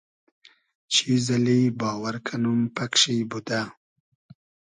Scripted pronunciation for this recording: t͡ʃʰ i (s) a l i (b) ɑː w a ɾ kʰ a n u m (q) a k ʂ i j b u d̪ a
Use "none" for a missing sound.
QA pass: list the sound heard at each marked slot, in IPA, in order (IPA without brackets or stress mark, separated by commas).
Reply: z, b, p